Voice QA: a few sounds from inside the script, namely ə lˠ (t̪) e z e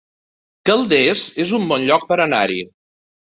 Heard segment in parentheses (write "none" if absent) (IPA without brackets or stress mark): d̪